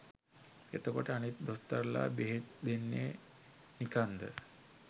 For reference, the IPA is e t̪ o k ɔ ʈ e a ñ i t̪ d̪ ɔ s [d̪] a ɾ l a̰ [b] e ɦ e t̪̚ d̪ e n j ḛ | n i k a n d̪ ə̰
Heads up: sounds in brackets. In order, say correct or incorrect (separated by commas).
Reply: incorrect, correct